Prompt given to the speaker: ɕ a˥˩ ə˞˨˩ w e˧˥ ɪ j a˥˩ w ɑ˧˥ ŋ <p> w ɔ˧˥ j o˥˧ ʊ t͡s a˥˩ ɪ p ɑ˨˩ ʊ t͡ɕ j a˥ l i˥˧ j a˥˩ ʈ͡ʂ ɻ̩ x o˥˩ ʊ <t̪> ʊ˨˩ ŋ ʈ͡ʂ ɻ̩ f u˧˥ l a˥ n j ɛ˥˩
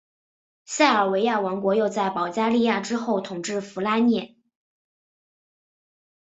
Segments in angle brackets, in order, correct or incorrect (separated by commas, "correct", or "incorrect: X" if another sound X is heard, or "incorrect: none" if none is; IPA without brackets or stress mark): incorrect: k, incorrect: t̪ʰ